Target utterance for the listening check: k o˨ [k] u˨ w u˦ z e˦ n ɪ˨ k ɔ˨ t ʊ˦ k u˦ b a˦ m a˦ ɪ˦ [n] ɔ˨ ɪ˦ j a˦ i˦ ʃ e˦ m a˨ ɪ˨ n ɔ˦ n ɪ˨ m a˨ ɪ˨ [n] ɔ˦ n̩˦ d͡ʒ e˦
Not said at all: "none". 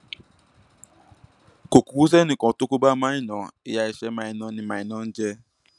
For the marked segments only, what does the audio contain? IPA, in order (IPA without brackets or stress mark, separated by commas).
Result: k, n, n